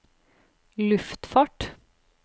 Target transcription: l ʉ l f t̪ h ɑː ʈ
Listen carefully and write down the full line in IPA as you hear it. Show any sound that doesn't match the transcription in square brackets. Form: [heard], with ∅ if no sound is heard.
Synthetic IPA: l ʉ [∅] f t̪ [f] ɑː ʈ